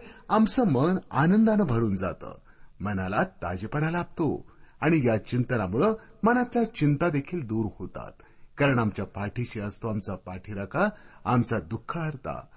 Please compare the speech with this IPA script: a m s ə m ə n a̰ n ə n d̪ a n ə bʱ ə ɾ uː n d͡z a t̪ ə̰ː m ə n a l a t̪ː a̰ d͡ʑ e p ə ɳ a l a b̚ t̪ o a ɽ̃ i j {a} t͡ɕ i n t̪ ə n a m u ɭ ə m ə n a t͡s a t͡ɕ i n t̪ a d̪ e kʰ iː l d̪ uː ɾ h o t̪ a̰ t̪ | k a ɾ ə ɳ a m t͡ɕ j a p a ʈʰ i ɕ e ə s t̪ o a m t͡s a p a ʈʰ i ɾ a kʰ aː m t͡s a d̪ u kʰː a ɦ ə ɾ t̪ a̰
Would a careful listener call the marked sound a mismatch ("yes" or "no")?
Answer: no